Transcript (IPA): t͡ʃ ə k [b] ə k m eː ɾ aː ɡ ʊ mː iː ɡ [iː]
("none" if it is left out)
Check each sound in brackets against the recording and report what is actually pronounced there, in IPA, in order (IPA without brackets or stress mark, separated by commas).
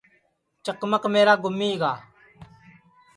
m, aː